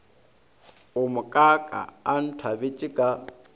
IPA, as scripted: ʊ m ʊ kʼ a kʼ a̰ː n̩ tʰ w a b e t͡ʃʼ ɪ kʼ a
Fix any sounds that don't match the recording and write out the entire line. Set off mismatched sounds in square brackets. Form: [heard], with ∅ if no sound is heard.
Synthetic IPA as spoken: ʊ m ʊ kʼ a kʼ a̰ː n̩ tʰ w a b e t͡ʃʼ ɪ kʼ a